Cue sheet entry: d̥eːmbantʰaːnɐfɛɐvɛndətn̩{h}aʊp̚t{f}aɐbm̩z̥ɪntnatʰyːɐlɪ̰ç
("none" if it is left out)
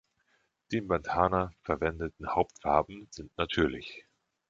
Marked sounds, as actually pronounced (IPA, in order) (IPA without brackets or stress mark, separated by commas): h, f